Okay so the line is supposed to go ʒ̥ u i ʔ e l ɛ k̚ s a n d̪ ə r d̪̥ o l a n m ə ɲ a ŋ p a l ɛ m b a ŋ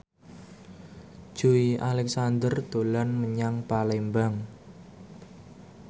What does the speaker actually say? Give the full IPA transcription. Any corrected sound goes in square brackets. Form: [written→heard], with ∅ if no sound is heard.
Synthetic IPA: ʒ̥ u i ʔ [e→a] l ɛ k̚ s a n d̪ ə r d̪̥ o l a n m ə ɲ a ŋ p a l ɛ m b a ŋ